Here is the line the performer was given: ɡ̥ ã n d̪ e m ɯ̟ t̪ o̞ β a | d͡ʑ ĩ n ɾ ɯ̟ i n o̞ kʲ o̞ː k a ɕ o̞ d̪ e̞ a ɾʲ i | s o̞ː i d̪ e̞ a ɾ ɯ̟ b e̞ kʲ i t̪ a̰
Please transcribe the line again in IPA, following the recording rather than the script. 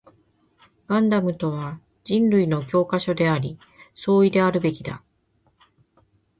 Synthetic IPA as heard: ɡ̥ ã n d̪ a m ɯ̟ t̪ o̞ β a | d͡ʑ ĩ n ɾ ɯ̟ i n o̞ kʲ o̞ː k a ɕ o̞ d̪ e̞ a ɾʲ i | s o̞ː i d̪ e̞ a ɾ ɯ̟ b e̞ kʲ i d̪ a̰